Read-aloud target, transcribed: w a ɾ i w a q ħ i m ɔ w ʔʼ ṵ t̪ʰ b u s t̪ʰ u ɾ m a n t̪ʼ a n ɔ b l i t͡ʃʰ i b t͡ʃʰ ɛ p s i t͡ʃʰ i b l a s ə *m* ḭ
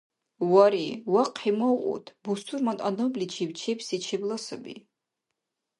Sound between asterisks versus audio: incorrect: b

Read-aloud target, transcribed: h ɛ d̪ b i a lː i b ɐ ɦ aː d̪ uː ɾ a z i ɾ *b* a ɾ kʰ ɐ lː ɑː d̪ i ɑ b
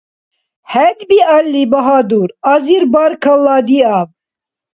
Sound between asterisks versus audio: correct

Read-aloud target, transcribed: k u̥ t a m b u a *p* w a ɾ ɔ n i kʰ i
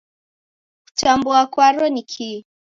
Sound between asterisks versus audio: incorrect: k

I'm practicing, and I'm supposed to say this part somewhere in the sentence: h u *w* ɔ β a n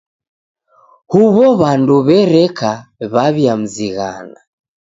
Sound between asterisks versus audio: incorrect: β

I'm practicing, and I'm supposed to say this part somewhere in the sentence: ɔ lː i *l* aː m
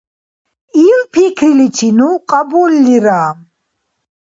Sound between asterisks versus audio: incorrect: ɾ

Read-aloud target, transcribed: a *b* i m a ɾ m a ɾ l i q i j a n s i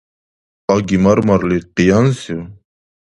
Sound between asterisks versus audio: incorrect: ɡ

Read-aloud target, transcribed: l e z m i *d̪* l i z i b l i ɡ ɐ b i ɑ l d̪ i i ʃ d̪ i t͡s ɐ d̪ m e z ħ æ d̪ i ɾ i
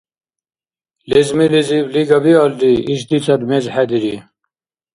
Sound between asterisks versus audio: incorrect: none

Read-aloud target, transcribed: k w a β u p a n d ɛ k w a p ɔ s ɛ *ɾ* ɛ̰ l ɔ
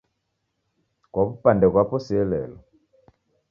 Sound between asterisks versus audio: incorrect: l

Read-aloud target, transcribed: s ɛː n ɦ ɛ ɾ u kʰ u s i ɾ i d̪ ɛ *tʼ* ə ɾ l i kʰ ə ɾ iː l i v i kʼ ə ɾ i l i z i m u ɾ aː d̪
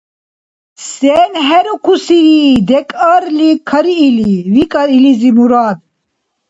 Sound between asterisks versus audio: incorrect: kʼ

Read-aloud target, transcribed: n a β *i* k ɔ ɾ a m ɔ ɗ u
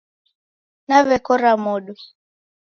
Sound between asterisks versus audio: incorrect: ɛ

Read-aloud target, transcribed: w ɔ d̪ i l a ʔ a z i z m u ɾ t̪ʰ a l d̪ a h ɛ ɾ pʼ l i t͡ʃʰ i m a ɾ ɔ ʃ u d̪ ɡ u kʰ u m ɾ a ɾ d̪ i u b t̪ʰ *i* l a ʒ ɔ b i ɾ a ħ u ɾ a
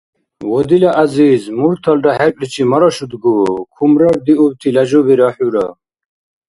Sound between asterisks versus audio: correct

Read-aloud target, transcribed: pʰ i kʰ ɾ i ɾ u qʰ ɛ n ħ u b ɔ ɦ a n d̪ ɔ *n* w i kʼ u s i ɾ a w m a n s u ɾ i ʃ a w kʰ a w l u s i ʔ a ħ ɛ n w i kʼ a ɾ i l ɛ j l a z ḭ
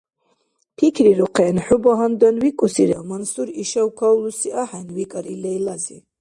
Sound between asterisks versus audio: correct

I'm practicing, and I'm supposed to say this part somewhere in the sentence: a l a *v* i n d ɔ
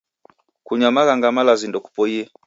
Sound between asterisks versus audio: incorrect: z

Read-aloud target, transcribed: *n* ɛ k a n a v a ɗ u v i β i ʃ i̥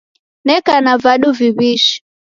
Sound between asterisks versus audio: correct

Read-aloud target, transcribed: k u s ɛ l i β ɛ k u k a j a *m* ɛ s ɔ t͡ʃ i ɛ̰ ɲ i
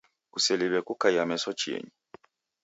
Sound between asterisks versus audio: correct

